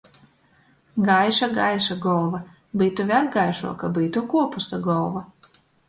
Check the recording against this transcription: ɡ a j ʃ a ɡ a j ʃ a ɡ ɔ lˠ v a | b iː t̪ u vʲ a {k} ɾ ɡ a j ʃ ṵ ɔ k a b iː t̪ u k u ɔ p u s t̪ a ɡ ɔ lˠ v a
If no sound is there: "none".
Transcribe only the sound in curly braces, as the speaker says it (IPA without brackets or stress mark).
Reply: none